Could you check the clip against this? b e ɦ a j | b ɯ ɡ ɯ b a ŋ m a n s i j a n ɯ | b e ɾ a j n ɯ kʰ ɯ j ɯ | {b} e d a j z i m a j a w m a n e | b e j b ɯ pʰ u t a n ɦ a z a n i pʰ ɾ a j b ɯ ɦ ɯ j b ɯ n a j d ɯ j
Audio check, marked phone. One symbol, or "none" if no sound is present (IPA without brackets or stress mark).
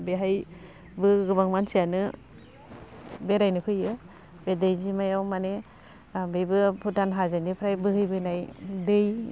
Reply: b